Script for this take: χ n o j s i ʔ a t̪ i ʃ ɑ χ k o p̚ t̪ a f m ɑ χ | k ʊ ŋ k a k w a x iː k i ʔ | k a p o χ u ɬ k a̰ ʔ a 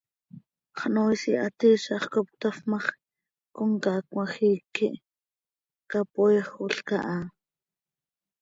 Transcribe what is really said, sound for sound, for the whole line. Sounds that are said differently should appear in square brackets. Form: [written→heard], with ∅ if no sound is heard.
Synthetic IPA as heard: χ n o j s i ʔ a t̪ i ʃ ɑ χ k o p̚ t̪ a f m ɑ χ | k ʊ ŋ k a k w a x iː k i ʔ | k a p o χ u ɬ k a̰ ʔ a